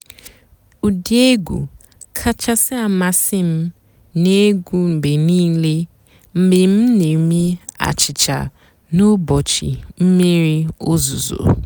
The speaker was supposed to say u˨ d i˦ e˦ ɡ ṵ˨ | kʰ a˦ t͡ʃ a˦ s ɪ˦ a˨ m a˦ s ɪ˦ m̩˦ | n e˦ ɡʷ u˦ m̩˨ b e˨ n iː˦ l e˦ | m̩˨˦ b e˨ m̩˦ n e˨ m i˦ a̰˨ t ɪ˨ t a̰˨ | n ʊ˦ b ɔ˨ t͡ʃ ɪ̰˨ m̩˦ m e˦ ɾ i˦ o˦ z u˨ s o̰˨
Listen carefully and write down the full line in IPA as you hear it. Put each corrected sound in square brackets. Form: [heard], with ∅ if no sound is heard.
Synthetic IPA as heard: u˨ d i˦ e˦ ɡ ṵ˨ | kʰ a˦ t͡ʃ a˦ s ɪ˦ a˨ m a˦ s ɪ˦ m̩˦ | n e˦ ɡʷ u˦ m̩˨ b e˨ n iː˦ l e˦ | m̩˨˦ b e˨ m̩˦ n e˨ m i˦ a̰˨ [t͡ʃ] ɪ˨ [t͡ʃ] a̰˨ | n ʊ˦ b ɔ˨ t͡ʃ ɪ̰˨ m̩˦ m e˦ ɾ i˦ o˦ z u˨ [z] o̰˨